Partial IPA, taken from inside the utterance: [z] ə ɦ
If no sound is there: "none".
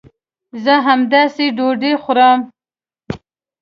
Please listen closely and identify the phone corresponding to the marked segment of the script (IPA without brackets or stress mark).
z